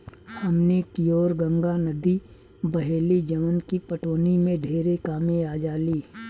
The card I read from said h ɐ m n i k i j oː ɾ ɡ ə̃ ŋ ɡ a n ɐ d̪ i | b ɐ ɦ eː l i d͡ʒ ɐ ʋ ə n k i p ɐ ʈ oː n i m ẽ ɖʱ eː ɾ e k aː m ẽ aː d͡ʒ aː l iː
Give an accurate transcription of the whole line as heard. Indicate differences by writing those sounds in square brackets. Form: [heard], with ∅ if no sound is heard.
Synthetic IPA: h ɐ m n [e] k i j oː ɾ ɡ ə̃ ŋ ɡ a n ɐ d̪ i | b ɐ ɦ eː l i d͡ʒ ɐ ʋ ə n k i p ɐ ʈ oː n i m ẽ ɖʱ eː ɾ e k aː m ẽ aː d͡ʒ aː l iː